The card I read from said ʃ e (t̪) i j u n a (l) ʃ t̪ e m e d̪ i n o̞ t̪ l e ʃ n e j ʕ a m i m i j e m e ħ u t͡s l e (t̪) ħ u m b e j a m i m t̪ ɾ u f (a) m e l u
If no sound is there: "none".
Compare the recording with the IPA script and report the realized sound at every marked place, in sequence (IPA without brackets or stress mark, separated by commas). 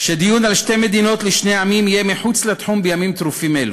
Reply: d̪, l, t̪, i